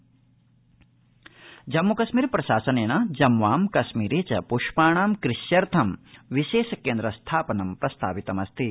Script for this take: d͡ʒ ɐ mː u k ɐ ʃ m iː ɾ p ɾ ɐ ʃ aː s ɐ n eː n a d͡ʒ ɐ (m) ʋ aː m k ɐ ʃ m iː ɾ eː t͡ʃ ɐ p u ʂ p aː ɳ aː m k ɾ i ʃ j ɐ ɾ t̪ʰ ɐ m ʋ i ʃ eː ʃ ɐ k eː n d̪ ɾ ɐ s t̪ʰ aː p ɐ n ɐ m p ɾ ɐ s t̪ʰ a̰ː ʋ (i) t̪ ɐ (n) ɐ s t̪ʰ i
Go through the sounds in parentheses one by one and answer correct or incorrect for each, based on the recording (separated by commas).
correct, correct, incorrect